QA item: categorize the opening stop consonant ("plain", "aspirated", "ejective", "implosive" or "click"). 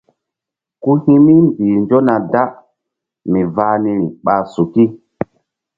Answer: plain